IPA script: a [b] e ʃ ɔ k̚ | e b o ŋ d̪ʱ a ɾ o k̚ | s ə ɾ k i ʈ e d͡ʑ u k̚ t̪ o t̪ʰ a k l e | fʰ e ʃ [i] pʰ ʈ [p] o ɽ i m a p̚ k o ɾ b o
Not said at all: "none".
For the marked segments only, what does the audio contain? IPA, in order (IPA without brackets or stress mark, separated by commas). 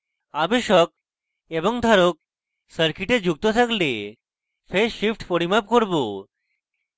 b, i, p